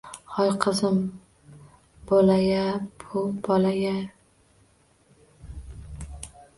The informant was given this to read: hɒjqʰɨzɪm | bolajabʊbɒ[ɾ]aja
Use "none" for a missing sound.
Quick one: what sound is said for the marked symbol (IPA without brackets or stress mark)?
l